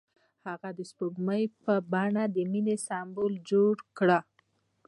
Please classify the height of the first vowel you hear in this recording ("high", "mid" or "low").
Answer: low